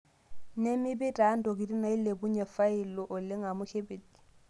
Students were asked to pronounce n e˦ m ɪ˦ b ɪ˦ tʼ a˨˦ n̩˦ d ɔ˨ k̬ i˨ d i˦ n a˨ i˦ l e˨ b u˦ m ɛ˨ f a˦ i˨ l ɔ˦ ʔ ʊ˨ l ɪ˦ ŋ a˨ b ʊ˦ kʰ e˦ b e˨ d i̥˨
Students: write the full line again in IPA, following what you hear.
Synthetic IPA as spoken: n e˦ m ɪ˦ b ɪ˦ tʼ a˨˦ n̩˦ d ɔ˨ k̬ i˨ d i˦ n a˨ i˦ l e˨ b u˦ ɲ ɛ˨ f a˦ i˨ l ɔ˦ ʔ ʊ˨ l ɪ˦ ŋ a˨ m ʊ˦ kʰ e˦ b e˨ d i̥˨